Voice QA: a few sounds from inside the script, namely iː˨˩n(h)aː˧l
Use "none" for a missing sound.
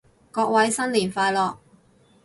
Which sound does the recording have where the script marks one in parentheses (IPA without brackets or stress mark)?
f